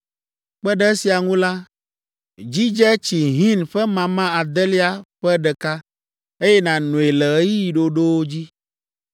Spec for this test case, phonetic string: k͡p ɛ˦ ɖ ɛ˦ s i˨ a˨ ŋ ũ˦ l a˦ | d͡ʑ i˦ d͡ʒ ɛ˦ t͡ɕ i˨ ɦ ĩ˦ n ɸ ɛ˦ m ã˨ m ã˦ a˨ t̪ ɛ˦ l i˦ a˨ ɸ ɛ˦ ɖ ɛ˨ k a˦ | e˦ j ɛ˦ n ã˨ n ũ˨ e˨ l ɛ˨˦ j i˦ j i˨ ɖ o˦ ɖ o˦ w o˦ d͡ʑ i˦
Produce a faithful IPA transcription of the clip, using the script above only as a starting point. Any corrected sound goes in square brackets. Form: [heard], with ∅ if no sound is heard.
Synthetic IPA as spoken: k͡p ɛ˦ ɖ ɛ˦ s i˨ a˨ ŋ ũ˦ l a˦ | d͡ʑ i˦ d͡ʒ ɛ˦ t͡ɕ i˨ ɦ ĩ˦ n ɸ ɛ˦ m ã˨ m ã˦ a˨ [d̪] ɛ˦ l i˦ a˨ ɸ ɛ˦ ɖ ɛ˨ k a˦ | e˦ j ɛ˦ n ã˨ n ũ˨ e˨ l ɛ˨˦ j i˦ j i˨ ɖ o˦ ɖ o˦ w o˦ d͡ʑ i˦

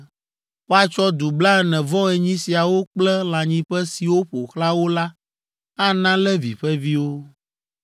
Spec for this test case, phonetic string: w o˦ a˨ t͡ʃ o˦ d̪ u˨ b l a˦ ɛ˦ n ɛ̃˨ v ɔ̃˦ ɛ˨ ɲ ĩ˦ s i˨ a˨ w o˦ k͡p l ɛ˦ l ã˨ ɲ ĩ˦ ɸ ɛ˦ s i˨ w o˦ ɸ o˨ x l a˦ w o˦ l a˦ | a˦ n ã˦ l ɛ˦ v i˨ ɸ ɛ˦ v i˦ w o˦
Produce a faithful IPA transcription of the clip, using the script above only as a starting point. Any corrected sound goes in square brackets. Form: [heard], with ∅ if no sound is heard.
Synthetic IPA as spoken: w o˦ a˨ t͡ʃ [ɔ˦] d̪ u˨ b l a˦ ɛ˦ n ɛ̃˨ v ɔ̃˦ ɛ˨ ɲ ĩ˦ s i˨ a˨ w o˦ k͡p l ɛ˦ l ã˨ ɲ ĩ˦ ɸ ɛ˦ s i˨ w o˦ ɸ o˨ x l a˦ w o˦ l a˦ | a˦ n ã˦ l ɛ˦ v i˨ ɸ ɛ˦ v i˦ w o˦

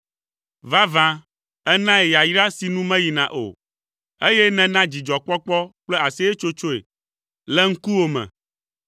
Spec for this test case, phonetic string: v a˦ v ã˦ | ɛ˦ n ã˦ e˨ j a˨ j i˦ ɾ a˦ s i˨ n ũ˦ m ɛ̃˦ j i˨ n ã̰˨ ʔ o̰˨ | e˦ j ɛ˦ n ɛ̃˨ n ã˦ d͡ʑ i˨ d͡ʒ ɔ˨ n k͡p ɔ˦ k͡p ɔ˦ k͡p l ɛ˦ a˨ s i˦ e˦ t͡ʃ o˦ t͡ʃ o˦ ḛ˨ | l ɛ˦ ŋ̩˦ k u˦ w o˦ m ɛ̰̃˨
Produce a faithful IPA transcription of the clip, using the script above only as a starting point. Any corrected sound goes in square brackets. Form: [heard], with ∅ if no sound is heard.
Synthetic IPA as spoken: v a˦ v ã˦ | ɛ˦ n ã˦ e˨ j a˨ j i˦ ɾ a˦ s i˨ n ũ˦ m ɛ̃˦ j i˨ n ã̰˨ ʔ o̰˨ | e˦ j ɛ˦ n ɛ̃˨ n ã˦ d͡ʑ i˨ d͡ʒ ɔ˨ [∅] k͡p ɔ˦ k͡p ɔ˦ k͡p l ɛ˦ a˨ s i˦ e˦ t͡ʃ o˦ t͡ʃ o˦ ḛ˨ | l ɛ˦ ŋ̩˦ k u˦ w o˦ m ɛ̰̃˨

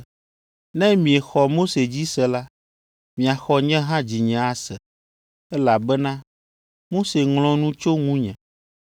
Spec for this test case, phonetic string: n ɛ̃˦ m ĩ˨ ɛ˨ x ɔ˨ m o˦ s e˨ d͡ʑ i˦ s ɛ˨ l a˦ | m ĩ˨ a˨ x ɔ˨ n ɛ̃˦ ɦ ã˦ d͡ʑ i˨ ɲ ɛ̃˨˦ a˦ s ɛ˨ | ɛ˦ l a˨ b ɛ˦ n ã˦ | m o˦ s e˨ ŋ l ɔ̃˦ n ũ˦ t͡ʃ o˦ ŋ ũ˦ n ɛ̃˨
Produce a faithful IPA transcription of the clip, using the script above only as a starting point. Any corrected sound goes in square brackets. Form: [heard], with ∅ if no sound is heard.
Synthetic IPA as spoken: n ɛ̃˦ m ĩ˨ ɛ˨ x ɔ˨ m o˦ s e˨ d͡ʑ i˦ s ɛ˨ l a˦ | m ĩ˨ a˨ x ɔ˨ [ɲ] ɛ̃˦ ɦ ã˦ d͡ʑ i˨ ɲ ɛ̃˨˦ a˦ s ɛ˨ | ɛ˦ l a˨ b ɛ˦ n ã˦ | m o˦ s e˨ ŋ l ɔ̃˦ n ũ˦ t͡ʃ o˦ ŋ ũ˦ [ɲ] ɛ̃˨

